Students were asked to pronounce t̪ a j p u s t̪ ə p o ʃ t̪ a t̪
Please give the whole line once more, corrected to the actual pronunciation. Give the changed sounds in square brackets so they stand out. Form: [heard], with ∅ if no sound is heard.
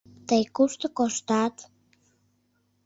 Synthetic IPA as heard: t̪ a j [k] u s t̪ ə [k] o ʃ t̪ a t̪